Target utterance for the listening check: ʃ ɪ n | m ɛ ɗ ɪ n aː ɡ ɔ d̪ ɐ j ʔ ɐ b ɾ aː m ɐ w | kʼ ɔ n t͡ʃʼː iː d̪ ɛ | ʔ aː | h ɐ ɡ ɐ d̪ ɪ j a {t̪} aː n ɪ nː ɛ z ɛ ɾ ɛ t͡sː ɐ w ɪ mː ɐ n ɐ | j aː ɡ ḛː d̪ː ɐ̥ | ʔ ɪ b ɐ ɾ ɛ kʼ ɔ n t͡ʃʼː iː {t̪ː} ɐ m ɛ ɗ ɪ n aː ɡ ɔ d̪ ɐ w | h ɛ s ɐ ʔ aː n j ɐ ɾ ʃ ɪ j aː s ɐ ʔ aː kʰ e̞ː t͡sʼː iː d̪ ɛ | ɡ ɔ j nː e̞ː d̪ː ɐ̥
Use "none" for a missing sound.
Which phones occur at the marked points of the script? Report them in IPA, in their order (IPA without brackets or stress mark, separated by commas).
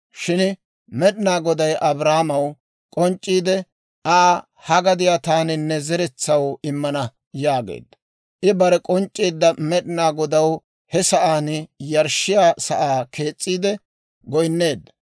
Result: t̪, d̪ː